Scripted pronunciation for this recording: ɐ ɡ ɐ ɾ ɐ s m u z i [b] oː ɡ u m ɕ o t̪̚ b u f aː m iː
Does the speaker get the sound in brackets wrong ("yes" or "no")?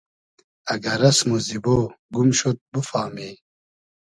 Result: no